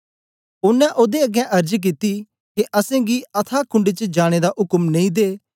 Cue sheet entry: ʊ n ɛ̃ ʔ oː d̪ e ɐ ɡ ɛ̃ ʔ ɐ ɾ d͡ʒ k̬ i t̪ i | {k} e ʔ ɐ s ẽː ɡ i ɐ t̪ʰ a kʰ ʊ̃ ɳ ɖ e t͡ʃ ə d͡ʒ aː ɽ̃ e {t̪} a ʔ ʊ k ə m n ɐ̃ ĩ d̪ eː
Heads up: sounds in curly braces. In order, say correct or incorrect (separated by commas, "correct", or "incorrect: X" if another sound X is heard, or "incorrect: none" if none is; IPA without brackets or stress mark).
correct, incorrect: d̪